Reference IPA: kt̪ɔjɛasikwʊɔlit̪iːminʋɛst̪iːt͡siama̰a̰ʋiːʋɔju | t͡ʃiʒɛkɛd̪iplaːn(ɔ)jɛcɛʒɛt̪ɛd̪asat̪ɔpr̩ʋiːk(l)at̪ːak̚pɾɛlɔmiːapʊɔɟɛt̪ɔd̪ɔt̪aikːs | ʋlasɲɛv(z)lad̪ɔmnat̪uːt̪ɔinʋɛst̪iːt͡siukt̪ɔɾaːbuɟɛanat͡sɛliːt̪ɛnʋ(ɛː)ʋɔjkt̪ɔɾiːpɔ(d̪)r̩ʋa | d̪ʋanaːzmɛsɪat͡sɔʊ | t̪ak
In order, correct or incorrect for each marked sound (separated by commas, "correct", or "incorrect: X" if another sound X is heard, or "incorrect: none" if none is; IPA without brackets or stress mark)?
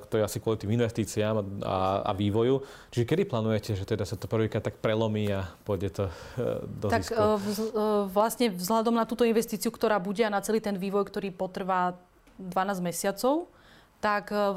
incorrect: u, incorrect: ɾ, correct, incorrect: iː, incorrect: t̪